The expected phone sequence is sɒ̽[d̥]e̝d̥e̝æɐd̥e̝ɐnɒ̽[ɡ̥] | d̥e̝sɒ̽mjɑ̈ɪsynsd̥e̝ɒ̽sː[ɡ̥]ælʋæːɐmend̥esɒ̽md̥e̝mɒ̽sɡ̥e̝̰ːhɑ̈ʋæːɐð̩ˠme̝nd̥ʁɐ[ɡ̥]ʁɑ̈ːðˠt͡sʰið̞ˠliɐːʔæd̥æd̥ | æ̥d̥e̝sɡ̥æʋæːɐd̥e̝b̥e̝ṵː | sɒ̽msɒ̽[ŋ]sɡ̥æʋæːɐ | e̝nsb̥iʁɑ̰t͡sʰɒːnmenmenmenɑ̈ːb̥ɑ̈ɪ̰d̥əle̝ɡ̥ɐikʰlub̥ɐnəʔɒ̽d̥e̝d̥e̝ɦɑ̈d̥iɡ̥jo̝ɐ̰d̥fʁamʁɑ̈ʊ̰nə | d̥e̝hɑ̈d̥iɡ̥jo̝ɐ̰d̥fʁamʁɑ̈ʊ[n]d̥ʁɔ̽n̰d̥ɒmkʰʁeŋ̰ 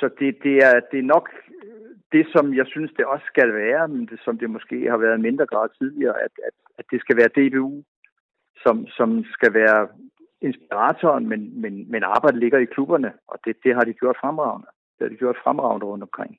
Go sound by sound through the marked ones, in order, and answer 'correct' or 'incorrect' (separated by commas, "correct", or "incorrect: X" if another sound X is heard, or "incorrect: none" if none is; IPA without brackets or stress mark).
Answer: correct, correct, correct, correct, incorrect: m, correct